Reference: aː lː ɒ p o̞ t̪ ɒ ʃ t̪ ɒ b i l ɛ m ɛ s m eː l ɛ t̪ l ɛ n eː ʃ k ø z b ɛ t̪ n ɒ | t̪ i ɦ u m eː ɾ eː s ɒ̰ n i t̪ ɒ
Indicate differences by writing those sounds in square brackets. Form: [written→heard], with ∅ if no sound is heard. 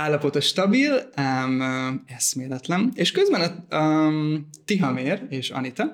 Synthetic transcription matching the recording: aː lː ɒ p o̞ t̪ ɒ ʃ t̪ ɒ b i l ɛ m ɛ s m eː l ɛ t̪ l ɛ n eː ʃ k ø z b ɛ [t̪→∅] n ɒ | t̪ i ɦ [u→ɒ] m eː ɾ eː [s→ʃ] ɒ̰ n i t̪ ɒ